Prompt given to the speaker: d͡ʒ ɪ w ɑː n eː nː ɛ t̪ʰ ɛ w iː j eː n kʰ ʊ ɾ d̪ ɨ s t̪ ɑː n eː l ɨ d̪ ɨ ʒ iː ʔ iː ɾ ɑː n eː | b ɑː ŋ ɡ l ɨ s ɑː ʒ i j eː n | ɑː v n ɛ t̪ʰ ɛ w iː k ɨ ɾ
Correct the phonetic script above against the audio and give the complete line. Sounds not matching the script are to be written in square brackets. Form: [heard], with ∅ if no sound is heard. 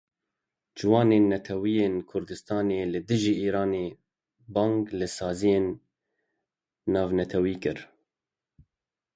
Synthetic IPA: d͡ʒ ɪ w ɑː n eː nː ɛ t̪ʰ ɛ w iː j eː n kʰ ʊ ɾ d̪ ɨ s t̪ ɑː n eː l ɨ d̪ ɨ ʒ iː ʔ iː ɾ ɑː n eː | b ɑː ŋ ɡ l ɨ s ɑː [z] i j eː n | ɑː v n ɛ t̪ʰ ɛ w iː k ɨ ɾ